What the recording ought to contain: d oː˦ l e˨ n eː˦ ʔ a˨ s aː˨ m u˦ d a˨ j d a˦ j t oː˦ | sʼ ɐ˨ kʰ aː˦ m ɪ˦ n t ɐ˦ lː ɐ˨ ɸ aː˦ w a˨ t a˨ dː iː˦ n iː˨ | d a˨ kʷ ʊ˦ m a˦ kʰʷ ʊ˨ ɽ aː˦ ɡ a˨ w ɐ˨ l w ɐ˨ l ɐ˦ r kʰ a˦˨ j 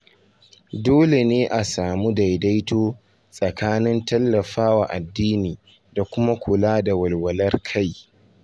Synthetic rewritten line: d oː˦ l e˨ n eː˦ ʔ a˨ s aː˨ m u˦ d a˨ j d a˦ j t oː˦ | sʼ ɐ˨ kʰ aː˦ n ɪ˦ n t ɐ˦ lː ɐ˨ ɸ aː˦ w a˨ ʔ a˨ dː iː˦ n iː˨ | d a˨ kʷ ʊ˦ m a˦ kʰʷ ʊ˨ l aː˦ d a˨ w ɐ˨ l w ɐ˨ l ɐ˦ r kʰ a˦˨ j

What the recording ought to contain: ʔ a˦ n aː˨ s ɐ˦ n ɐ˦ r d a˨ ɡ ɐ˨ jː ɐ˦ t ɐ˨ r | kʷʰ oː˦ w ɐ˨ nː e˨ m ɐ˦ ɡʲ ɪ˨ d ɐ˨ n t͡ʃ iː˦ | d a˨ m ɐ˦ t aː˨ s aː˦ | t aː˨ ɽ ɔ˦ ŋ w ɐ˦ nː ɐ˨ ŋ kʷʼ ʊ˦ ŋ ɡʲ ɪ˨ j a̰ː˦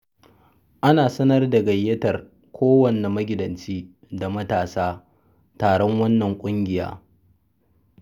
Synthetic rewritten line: ʔ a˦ n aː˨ s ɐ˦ n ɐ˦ r d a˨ ɡ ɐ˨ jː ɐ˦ t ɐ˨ r | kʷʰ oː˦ w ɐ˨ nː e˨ m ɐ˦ ɡʲ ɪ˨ d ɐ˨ n t͡ʃ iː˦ | d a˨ m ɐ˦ t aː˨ s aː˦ | t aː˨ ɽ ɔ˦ ŋ w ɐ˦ nː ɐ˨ ŋ kʷʼ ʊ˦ ŋ ɡʲ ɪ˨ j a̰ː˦

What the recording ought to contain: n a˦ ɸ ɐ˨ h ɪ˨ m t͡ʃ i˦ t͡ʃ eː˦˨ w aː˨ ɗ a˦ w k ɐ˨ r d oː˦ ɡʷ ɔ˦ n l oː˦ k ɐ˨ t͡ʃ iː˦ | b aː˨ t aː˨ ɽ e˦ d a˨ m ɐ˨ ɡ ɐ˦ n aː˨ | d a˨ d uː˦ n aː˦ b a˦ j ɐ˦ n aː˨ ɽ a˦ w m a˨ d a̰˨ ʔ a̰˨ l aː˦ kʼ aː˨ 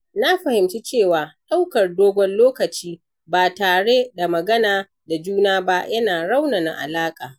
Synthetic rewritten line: n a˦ ɸ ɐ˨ h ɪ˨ m t͡ʃ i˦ t͡ʃ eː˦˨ w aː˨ ɗ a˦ w k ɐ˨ r d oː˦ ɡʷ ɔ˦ n l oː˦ k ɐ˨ t͡ʃ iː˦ | b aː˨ t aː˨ ɽ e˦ d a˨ m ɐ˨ ɡ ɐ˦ n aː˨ | d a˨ d͡ʒ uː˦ n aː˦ b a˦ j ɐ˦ n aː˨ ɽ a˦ w n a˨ n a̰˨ ʔ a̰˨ l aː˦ kʼ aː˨

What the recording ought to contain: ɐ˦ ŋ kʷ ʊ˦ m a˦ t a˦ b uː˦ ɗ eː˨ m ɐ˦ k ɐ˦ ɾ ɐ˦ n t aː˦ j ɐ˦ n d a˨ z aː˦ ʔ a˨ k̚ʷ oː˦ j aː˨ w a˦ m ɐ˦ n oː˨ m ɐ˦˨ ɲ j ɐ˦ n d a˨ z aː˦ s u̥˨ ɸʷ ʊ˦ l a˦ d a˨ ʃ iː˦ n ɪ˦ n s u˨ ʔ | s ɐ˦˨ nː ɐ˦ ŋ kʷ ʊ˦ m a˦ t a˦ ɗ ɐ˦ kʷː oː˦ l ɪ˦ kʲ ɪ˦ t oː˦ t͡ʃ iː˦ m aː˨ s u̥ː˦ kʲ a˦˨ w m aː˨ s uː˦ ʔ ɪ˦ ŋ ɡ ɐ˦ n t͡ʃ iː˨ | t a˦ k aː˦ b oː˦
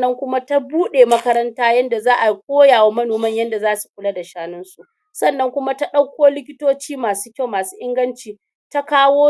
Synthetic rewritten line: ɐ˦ ŋ kʷ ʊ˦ m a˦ t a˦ b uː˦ ɗ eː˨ m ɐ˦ k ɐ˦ ɾ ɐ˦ n t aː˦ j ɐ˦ n d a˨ z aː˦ ʔ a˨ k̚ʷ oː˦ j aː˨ w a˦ m ɐ˦ n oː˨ m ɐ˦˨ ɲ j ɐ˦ n d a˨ z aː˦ s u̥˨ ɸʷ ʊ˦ l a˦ d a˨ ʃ aː˦ n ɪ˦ n s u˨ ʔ | s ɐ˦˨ nː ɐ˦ ŋ kʷ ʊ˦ m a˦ t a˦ ɗ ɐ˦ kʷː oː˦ l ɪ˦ kʲ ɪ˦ t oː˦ t͡ʃ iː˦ m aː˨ s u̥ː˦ kʲ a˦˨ w m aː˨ s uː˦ ʔ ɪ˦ ŋ ɡ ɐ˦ n t͡ʃ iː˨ | t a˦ k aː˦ w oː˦

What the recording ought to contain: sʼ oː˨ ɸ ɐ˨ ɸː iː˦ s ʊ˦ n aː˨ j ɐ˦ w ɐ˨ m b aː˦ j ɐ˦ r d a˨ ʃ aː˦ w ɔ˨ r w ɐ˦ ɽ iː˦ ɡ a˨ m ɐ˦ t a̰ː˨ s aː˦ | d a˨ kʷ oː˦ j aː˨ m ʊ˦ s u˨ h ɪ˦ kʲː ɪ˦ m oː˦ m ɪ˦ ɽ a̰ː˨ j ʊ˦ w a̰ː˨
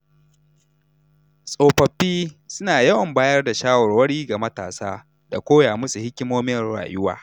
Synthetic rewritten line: sʼ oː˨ ɸ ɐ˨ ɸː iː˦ s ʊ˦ n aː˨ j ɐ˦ w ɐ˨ m b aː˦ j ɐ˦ r d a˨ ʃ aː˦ w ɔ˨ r w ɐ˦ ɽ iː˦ ɡ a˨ m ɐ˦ t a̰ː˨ s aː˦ | d a˨ kʷ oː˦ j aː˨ m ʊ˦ s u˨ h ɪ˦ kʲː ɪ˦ m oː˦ m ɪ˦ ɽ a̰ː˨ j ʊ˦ w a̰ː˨

